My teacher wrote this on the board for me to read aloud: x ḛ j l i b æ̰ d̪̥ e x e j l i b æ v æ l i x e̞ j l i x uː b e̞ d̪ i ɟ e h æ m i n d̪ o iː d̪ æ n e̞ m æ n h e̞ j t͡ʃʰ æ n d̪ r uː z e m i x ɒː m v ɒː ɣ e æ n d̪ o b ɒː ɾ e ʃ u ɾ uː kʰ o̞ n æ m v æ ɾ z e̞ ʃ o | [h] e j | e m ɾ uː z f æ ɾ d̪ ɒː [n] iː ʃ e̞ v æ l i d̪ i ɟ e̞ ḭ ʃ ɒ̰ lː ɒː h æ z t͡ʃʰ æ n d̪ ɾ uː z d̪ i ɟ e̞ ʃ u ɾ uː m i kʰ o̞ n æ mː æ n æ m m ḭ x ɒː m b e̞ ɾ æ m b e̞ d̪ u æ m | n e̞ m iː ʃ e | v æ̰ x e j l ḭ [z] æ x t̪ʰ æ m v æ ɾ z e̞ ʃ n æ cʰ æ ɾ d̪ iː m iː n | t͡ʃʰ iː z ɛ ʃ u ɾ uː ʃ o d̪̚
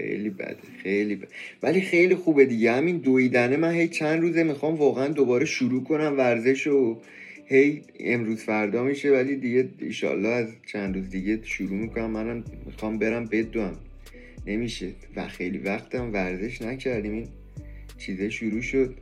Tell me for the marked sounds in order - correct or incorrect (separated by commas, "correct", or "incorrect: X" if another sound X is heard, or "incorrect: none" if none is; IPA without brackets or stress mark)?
correct, incorrect: m, incorrect: v